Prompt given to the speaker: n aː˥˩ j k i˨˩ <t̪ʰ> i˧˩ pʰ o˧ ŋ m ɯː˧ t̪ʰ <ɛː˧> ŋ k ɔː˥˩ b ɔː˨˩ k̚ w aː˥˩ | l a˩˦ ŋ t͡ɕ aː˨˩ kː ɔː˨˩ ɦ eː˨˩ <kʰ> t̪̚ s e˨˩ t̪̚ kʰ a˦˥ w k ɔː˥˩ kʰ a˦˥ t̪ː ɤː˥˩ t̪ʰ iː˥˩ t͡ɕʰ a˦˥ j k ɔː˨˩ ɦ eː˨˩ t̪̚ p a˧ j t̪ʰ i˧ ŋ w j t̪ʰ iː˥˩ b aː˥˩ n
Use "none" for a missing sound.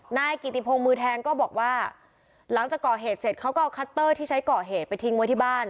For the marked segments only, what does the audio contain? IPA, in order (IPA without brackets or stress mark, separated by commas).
t̪, ɛː˧, none